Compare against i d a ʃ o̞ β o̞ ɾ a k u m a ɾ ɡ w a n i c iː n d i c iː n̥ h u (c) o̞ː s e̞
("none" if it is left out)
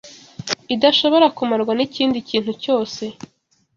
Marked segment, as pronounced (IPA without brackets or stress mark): c